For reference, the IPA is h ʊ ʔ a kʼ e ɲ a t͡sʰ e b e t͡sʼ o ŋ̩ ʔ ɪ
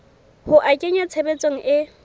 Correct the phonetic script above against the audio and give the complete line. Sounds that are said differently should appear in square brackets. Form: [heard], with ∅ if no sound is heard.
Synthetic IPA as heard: h ʊ ʔ a kʼ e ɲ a t͡sʰ e b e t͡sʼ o ŋ̩ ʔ ɪ